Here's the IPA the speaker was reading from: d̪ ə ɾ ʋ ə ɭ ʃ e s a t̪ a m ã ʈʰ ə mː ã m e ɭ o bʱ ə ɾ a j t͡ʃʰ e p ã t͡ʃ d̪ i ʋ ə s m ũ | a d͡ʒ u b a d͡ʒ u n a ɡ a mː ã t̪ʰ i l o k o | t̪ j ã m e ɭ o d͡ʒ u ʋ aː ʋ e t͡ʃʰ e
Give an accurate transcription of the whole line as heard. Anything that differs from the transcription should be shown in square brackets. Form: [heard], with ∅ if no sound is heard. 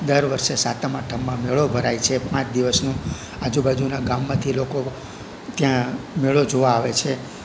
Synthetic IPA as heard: d̪ ə ɾ ʋ ə [ɾ] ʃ e s a t̪ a m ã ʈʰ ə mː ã m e ɭ o bʱ ə ɾ a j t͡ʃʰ e p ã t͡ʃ d̪ i ʋ ə s [n] ũ | a d͡ʒ u b a d͡ʒ u n a ɡ a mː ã t̪ʰ i l o k o | t̪ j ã m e ɭ o d͡ʒ [o] ʋ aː ʋ e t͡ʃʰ e